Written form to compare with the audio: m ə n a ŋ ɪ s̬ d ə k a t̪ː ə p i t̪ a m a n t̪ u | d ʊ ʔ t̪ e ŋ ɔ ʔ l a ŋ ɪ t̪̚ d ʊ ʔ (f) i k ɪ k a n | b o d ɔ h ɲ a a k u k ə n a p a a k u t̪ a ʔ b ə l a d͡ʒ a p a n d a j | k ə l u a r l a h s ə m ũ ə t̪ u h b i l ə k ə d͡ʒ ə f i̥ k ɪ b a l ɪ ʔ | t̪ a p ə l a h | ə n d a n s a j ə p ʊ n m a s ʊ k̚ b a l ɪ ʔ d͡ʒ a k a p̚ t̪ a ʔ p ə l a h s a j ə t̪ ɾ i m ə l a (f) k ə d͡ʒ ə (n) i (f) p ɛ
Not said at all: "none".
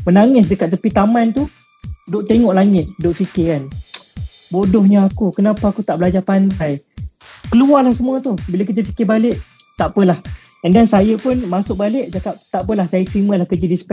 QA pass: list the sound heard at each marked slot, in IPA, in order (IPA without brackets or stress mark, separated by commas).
f, h, d, s